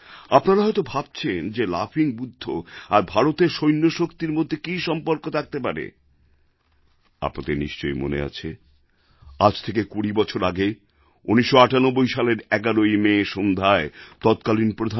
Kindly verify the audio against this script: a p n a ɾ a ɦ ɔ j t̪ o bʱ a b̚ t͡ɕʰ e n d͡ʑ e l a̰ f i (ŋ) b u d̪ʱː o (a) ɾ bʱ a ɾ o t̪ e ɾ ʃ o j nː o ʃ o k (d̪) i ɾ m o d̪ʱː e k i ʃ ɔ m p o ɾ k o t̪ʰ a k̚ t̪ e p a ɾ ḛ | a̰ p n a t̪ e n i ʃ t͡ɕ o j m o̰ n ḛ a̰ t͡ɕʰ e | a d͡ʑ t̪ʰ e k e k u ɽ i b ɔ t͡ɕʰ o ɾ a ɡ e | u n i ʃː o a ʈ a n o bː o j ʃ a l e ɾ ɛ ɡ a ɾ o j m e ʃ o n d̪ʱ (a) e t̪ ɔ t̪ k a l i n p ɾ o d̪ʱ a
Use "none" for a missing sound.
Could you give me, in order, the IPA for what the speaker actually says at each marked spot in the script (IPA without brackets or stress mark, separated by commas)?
ŋ, a, t̪, a